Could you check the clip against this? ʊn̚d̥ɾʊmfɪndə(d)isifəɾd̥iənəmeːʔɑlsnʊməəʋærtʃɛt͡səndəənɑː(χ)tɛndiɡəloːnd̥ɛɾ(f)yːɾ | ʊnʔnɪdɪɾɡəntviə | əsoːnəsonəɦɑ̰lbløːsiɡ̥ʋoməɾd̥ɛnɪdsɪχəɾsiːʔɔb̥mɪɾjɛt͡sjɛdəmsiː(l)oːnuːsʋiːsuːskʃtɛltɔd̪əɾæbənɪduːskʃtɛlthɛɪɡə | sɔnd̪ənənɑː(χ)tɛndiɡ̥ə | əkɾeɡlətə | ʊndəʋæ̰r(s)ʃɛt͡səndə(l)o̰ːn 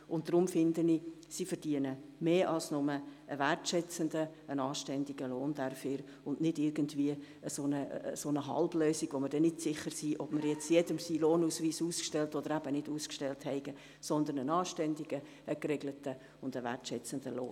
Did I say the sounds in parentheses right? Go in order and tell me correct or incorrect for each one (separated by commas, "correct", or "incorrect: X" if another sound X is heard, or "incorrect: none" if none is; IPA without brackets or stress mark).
incorrect: n, incorrect: ʃ, correct, correct, incorrect: ʃ, incorrect: t, correct